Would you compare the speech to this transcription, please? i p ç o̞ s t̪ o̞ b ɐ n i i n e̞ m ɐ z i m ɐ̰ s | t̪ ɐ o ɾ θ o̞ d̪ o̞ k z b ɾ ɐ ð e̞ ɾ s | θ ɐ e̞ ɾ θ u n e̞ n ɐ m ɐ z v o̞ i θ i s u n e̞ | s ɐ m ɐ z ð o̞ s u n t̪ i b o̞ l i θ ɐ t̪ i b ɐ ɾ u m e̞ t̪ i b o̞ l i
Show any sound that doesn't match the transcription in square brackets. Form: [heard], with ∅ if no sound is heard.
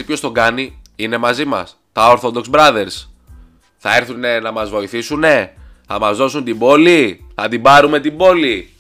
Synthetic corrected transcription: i p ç o̞ s t̪ o̞ [ɡ] ɐ n i i n e̞ m ɐ z i m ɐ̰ s | t̪ ɐ o ɾ θ o̞ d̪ o̞ k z b ɾ ɐ ð e̞ ɾ s | θ ɐ e̞ ɾ θ u n e̞ n ɐ m ɐ z v o̞ i θ i s u n e̞ | [θ] ɐ m ɐ z ð o̞ s u n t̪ i b o̞ l i θ ɐ t̪ i b ɐ ɾ u m e̞ t̪ i b o̞ l i